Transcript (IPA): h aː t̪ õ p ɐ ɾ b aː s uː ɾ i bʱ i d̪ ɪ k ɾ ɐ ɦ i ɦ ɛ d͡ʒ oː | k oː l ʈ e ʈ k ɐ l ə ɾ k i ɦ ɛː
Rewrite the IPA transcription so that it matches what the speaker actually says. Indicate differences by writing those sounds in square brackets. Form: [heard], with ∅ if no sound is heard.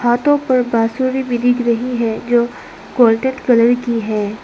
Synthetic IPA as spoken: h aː t̪ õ p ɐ ɾ b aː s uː ɾ i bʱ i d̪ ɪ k ɾ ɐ ɦ i ɦ ɛ d͡ʒ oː | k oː l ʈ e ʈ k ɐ l ə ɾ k i ɦ ɛː